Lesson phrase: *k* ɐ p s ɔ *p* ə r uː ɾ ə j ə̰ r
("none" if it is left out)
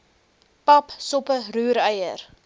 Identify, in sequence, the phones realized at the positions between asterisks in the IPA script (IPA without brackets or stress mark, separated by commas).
p, p